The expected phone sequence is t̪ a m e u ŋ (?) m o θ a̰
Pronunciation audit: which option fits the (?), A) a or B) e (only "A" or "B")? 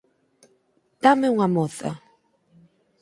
A